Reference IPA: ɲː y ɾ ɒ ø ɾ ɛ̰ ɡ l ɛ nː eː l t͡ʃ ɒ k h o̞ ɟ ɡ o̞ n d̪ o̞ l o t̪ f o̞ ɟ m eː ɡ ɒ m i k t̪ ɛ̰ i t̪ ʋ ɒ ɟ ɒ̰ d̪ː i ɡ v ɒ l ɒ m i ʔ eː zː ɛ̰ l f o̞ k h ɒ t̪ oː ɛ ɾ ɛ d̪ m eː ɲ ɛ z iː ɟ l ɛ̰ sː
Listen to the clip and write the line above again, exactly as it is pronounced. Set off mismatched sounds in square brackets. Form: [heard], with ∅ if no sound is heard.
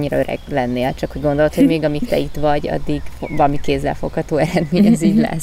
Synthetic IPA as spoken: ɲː [i] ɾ ɒ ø ɾ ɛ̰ ɡ l ɛ nː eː l t͡ʃ ɒ k h o̞ ɟ ɡ o̞ n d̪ o̞ l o t̪ [h] o̞ ɟ m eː ɡ ɒ m i k t̪ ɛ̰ i t̪ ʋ ɒ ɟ ɒ̰ d̪ː i ɡ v ɒ l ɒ m i [k] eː zː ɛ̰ l f o̞ k h ɒ t̪ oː ɛ ɾ ɛ d̪ m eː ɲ ɛ z iː ɟ l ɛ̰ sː